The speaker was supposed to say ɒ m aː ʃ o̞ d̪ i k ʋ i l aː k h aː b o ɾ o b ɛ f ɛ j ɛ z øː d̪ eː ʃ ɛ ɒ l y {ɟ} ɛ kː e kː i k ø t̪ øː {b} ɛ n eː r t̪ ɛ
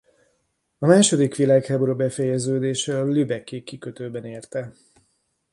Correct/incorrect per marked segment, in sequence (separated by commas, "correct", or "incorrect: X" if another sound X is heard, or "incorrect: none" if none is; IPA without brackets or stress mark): incorrect: b, correct